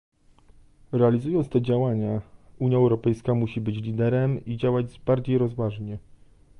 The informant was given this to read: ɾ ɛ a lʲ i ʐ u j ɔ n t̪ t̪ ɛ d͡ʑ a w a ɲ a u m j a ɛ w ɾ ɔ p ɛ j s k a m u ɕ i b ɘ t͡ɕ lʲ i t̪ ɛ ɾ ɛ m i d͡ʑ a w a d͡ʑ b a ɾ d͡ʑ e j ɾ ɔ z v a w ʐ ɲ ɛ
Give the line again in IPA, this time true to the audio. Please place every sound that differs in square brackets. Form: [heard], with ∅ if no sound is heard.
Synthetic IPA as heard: ɾ ɛ a lʲ i [z] u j ɔ n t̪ t̪ ɛ d͡ʑ a w a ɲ a u [ɲ] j a ɛ w ɾ ɔ p ɛ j s k a m u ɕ i b ɘ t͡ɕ lʲ i [d̪] ɛ ɾ ɛ m i d͡ʑ a w a d͡ʑ b a ɾ d͡ʑ e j ɾ ɔ z v a [∅] ʐ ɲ ɛ